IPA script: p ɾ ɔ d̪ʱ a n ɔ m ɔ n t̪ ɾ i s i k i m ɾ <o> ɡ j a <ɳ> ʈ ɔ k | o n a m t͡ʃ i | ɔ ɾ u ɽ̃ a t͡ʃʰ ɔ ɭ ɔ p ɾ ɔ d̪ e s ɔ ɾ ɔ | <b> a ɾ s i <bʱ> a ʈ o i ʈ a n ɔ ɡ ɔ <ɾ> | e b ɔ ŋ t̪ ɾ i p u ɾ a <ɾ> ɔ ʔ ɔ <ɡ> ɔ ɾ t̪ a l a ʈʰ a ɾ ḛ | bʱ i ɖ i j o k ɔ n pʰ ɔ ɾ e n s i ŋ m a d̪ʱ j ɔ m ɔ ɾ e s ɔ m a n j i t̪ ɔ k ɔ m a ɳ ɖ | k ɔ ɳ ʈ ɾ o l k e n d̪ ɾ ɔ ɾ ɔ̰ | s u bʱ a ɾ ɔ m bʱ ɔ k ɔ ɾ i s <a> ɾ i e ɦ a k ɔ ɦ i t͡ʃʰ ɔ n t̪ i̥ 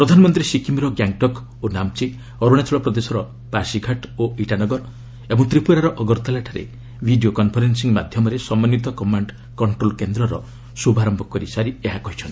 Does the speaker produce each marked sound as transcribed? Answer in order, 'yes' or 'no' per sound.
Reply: no, no, no, no, yes, yes, yes, yes

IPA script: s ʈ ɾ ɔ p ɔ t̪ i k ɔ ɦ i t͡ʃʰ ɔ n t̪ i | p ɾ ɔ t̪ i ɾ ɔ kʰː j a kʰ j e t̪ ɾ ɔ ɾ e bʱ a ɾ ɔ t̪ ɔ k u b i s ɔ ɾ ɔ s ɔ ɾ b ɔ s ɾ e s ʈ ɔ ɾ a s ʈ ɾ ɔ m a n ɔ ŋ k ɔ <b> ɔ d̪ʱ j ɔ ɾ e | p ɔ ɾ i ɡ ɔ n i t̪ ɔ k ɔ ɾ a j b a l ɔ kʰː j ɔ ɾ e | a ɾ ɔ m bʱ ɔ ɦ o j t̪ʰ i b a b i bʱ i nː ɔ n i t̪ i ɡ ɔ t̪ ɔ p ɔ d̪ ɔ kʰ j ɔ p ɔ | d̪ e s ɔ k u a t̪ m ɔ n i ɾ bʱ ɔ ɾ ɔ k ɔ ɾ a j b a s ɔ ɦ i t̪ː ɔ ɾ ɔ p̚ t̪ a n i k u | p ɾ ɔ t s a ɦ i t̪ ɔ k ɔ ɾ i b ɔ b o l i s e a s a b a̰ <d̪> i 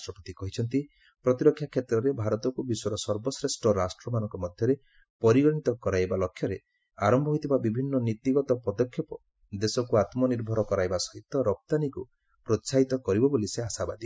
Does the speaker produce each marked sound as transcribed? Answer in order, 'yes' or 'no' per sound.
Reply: no, yes

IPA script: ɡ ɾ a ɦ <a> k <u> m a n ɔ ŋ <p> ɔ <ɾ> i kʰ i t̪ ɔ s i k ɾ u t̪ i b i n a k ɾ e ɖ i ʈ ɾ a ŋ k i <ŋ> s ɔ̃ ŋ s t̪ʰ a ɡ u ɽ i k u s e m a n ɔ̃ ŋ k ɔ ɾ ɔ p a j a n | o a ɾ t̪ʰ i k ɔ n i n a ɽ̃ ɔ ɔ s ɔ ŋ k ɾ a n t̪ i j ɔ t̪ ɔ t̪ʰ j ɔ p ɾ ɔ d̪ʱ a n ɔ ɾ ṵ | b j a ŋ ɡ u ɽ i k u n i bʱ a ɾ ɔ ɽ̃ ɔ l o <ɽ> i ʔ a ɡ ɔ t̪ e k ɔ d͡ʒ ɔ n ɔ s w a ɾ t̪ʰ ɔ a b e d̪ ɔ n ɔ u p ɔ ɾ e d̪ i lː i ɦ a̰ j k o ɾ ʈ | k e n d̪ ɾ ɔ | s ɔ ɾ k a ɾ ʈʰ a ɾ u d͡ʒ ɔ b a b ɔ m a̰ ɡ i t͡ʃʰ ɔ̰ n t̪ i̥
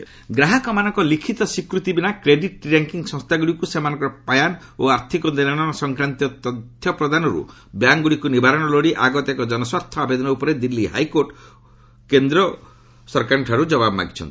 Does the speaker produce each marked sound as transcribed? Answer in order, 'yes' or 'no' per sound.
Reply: yes, no, no, no, yes, yes

